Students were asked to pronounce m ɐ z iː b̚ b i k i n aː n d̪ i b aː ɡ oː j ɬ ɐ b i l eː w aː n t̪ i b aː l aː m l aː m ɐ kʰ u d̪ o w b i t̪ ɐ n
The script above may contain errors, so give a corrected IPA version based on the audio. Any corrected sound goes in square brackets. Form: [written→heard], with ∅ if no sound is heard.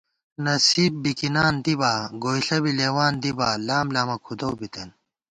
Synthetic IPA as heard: [m→n] ɐ [z→s] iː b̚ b i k i n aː n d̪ i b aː ɡ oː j ɬ ɐ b i l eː w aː n [t̪→d̪] i b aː l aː m l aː m ɐ kʰ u d̪ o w b i t̪ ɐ n